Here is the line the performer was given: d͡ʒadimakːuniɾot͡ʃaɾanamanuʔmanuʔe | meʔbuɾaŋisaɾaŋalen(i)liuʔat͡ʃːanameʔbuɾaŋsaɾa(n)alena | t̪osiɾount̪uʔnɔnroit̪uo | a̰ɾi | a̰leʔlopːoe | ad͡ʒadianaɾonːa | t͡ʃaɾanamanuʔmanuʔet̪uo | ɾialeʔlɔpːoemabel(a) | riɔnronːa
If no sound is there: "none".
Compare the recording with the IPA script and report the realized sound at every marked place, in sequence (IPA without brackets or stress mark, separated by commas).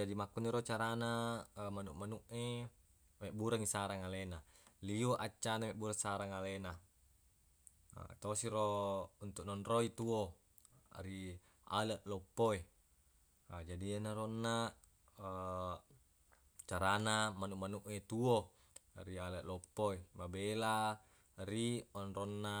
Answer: a, ŋ, a